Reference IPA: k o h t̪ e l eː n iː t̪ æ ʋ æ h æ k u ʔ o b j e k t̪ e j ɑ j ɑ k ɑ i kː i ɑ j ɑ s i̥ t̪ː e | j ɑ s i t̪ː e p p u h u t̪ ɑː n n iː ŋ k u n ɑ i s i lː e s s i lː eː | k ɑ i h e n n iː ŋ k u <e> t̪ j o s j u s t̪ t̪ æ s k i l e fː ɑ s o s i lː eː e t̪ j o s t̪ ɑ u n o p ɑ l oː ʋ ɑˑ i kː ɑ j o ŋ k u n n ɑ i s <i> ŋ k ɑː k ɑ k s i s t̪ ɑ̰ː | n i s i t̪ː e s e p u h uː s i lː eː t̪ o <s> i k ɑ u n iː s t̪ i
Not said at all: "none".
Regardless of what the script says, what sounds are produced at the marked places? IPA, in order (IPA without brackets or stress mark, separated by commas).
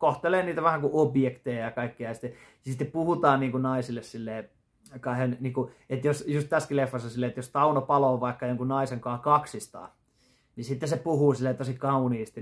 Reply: e, e, s